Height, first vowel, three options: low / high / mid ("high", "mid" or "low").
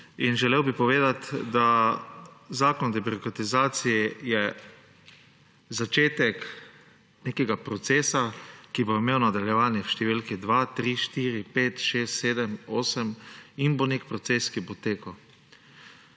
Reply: high